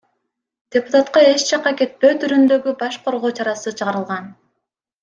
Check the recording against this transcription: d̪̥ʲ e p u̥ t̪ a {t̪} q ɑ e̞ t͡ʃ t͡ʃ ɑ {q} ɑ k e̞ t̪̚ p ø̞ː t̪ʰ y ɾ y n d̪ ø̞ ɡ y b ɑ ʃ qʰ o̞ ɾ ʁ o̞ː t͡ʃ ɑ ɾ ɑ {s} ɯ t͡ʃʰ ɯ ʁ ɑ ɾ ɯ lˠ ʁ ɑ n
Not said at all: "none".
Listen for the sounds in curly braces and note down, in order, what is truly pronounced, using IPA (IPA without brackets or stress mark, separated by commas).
t̪, q, s